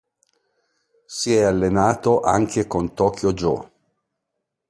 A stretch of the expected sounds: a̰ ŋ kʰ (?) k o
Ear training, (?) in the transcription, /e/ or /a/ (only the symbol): e